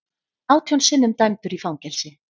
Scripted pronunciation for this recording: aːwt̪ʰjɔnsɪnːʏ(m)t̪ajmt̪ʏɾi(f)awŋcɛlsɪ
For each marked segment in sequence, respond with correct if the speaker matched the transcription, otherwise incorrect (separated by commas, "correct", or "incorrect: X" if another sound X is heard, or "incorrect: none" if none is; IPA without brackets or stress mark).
correct, correct